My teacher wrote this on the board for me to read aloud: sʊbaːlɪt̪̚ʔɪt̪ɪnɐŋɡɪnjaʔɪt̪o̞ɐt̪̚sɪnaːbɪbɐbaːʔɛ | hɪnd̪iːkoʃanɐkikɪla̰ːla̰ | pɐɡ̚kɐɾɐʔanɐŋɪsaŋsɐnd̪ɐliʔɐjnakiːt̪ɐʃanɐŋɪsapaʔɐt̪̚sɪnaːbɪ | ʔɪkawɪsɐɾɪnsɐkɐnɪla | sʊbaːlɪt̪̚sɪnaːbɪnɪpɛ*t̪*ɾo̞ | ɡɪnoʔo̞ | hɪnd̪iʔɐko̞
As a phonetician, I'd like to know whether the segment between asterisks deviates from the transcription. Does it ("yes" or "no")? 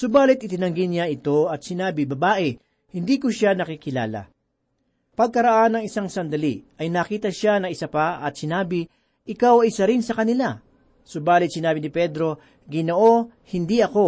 yes